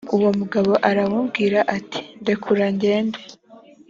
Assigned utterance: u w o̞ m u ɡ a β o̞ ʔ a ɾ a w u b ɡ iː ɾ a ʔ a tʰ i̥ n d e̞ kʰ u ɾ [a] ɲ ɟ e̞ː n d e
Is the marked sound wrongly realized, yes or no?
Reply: no